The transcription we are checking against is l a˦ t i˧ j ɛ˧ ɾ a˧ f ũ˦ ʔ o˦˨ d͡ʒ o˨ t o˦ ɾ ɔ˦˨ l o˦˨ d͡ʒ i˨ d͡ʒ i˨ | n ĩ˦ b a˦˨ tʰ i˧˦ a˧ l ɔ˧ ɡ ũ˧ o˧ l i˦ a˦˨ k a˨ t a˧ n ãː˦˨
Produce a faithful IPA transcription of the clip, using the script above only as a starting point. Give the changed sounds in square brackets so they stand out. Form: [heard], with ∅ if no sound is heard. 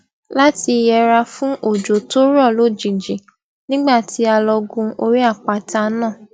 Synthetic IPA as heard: l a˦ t i˧ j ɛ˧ ɾ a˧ f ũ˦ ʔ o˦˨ d͡ʒ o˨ t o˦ ɾ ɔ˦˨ l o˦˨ d͡ʒ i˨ d͡ʒ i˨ | n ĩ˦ [ɡ͡b] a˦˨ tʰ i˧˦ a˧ l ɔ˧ ɡ ũ˧ o˧ [ɾ] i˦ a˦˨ [k͡p] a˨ t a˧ n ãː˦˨